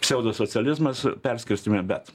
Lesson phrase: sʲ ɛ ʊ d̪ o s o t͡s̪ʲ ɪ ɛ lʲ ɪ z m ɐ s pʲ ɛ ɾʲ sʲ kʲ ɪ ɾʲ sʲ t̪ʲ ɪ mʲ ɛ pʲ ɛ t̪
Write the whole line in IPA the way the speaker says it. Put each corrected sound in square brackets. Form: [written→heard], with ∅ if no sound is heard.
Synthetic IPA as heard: sʲ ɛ ʊ d̪ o s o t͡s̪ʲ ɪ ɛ lʲ ɪ z m ɐ s pʲ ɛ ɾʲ sʲ kʲ ɪ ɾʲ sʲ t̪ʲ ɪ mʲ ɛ [pʲ→bʲ] ɛ t̪